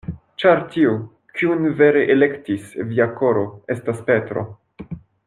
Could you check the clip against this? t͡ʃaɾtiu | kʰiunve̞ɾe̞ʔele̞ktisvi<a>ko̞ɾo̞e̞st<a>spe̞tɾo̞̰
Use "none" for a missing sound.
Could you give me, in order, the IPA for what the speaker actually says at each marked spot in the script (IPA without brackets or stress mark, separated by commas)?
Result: a, a